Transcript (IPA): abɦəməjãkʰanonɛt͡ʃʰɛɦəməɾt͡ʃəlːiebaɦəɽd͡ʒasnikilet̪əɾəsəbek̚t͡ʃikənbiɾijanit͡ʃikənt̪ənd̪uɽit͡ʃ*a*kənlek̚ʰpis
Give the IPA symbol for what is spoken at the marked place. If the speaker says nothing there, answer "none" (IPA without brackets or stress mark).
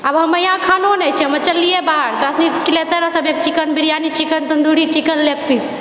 i